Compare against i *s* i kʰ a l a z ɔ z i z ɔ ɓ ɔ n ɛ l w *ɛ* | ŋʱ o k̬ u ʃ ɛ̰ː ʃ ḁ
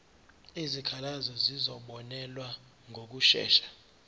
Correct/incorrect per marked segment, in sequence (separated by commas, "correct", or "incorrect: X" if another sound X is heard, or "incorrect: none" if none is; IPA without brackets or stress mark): incorrect: z, incorrect: a